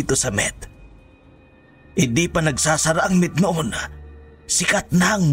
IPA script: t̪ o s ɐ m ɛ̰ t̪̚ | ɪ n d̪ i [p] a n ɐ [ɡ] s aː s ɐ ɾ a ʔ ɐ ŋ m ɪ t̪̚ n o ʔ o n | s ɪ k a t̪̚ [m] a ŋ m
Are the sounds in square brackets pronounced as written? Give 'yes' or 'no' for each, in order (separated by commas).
yes, yes, no